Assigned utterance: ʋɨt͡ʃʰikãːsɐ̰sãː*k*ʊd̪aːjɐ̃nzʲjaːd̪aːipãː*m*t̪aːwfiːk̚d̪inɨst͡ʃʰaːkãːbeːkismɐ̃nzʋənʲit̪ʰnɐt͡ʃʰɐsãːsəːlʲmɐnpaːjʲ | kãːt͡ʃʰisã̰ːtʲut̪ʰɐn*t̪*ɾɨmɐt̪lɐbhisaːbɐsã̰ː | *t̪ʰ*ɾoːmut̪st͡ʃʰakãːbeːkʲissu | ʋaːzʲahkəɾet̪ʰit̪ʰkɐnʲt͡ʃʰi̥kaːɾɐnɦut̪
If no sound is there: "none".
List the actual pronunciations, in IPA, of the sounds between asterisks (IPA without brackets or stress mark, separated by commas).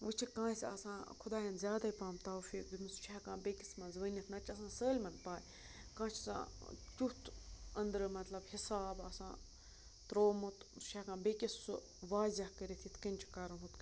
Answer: kʰ, m, d̪, t̪